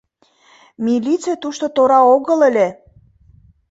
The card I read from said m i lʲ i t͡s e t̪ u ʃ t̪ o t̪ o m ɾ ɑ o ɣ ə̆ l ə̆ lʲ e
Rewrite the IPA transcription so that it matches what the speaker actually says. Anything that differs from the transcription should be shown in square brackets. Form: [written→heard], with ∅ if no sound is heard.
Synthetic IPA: m i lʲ i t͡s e t̪ u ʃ t̪ o t̪ o [m→∅] ɾ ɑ o ɣ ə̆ l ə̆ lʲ e